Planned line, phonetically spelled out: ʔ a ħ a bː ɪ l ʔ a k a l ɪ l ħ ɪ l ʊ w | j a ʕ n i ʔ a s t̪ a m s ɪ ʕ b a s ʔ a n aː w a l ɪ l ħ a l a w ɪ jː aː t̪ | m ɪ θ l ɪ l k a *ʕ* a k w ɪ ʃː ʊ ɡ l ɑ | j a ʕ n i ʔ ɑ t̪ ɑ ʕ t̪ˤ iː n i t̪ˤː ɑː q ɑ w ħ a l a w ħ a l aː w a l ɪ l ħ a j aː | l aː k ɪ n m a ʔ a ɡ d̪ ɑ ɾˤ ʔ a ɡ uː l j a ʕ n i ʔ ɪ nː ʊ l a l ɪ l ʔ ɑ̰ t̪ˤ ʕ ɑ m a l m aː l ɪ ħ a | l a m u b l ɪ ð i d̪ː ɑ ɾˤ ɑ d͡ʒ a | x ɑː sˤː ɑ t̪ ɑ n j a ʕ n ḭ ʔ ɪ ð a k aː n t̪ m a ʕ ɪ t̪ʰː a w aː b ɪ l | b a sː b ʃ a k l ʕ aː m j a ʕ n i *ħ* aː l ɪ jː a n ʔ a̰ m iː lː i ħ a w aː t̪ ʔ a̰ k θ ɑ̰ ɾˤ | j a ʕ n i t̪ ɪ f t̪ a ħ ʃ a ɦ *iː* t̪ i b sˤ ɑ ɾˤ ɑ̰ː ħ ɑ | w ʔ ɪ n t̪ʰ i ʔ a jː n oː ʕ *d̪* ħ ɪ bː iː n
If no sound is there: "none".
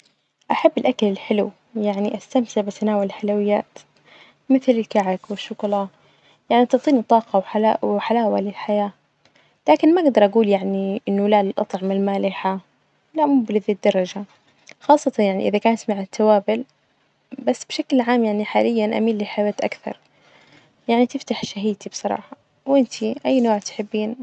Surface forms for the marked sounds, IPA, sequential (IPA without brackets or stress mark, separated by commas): ʕ, ħ, iː, t̪